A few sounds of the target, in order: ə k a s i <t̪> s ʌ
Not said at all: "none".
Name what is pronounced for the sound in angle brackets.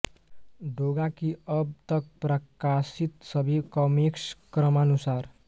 t̪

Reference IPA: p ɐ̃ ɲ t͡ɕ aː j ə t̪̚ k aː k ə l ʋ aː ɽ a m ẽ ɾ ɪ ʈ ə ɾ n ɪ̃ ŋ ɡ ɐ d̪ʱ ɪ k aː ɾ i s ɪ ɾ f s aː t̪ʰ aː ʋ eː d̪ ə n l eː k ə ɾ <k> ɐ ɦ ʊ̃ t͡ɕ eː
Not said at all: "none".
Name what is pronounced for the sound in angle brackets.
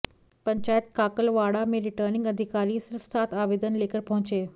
p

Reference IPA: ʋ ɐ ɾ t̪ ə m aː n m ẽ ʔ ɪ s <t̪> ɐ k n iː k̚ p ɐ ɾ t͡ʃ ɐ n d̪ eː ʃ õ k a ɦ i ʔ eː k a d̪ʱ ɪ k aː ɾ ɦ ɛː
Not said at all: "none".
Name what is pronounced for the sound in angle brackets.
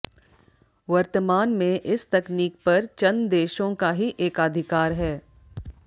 t̪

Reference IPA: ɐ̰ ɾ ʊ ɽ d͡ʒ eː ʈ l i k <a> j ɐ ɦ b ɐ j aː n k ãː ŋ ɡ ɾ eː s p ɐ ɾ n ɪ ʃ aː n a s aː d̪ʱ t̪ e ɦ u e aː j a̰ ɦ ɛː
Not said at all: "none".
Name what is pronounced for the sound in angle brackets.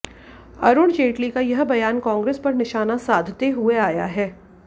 a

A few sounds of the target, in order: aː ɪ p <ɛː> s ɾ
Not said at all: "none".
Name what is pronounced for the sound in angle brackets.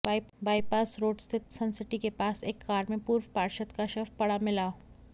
aː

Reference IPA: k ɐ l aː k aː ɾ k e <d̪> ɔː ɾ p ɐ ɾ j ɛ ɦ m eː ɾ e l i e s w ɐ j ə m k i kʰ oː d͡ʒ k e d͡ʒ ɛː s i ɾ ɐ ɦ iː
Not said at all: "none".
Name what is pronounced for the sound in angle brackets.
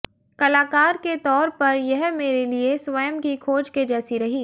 t̪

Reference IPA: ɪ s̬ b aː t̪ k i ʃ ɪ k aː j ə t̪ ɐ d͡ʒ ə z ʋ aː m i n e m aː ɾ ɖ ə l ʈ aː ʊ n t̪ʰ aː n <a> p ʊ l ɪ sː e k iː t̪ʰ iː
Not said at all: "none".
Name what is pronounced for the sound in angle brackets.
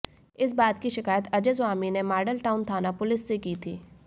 a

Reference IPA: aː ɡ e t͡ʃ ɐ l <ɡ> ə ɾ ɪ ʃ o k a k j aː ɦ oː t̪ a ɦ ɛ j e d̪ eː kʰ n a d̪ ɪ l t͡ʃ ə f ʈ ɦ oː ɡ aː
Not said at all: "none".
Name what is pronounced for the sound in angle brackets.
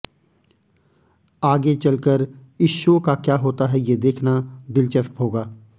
k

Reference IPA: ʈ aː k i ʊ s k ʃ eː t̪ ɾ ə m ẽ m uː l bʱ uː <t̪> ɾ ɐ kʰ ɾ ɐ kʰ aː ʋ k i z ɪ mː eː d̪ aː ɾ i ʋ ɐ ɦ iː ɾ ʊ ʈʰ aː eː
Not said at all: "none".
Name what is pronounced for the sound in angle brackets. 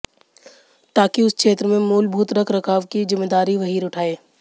t̪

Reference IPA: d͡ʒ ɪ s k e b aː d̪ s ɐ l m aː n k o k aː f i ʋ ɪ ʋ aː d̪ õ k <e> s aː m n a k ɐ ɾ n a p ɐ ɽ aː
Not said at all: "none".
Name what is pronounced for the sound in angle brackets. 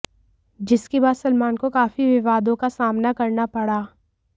a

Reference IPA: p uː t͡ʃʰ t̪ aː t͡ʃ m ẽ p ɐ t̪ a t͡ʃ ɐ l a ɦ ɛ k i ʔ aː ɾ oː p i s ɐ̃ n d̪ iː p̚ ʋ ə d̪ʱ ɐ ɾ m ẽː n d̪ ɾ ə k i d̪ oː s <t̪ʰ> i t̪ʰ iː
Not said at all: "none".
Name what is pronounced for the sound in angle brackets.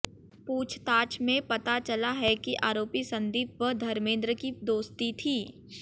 t̪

